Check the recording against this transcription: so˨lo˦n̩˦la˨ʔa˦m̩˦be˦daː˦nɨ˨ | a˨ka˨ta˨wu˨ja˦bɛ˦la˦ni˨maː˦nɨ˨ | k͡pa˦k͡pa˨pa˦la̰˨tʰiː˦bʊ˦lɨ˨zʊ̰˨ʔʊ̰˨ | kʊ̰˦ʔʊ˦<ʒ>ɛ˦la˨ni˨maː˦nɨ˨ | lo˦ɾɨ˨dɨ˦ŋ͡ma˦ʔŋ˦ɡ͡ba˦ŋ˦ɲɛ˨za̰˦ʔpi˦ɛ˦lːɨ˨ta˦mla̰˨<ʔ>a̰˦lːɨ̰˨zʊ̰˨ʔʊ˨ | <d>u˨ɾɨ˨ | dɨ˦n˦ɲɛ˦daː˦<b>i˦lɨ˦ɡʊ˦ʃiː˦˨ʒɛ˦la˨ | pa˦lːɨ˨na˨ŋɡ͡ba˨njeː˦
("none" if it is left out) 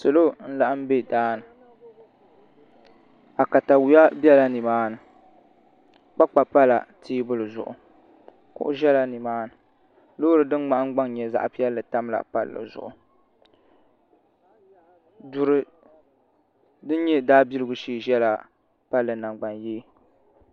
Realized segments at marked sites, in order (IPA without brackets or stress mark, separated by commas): ʒ, p, d, b